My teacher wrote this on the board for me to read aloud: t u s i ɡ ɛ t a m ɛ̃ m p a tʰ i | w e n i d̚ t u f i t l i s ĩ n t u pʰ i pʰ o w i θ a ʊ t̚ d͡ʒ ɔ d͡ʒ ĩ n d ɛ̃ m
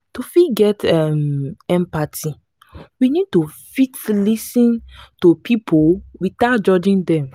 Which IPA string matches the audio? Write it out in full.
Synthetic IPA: t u f i ɡ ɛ t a m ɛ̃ m p a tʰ i | w i n i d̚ t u f i t l i s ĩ n t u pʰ i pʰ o w i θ a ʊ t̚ d͡ʒ ɔ d͡ʒ ĩ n d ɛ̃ m